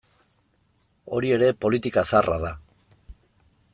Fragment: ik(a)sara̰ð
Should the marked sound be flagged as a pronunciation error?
no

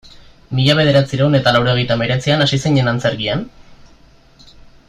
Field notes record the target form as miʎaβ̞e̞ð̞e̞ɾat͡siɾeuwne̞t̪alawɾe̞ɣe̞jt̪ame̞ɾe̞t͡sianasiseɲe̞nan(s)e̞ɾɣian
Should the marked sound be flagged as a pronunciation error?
yes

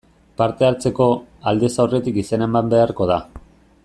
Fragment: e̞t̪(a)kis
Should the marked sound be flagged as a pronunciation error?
yes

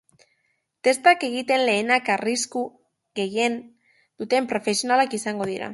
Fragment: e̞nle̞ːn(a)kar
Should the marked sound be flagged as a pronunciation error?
no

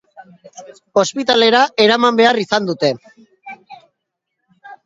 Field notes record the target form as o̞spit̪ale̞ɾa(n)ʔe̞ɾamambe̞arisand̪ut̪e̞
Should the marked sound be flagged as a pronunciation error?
yes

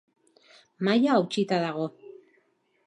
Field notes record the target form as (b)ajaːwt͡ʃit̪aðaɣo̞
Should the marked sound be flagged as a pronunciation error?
yes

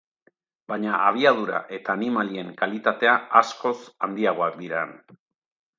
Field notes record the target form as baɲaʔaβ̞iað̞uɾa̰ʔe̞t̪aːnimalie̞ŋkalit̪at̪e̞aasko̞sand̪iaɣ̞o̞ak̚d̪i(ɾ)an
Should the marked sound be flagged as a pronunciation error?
no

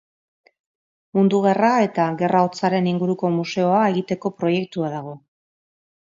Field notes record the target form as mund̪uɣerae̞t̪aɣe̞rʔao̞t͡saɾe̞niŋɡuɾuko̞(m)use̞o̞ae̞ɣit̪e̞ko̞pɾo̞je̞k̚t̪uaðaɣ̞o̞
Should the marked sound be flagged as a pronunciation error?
no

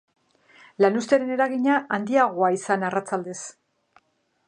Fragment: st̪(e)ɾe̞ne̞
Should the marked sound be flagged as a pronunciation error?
no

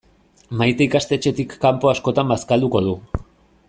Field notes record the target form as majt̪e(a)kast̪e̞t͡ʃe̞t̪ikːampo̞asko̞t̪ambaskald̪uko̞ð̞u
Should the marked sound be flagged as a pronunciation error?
yes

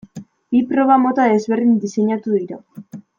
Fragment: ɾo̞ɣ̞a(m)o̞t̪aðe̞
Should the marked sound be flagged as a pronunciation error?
no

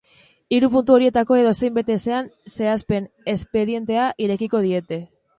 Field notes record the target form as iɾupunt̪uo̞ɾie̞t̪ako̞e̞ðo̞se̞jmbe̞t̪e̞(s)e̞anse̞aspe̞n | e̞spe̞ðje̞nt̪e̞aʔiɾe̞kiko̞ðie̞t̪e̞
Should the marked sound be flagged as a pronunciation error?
no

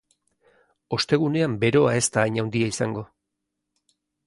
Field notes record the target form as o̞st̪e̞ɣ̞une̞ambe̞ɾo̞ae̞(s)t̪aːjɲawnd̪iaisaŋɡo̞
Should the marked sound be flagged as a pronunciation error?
no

